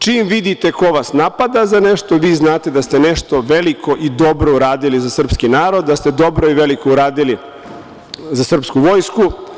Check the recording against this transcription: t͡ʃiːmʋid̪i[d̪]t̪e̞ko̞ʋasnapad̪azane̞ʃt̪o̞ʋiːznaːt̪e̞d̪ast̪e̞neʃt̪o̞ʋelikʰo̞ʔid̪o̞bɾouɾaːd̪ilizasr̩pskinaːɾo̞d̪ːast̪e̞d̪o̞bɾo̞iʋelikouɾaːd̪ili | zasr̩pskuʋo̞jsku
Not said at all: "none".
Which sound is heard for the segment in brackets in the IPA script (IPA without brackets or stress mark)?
none